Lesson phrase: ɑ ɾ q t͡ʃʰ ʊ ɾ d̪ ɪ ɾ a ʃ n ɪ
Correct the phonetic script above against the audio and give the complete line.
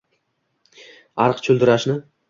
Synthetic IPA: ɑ ɾ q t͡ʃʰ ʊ l d̪ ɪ ɾ a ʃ n ɪ